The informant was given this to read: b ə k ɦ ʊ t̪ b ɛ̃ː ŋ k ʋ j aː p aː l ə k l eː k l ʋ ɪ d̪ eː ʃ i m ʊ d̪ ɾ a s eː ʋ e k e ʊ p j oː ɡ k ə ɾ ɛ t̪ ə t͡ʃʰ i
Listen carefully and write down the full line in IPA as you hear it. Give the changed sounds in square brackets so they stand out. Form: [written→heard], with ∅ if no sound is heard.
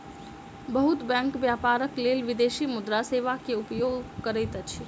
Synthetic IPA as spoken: b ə [k→∅] ɦ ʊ t̪ b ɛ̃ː ŋ k ʋ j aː p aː [l→ɾ] ə k l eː [k→∅] l ʋ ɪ d̪ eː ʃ i m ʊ d̪ ɾ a s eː ʋ [e→a] k e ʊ p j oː ɡ k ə ɾ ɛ t̪ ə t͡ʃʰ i